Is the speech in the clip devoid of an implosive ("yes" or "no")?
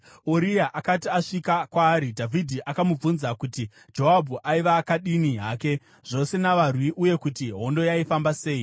no